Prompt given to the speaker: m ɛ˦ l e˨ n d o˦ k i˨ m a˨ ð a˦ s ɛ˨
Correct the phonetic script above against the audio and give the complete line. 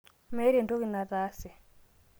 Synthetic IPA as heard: m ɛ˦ ɾ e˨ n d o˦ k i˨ n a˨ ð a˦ s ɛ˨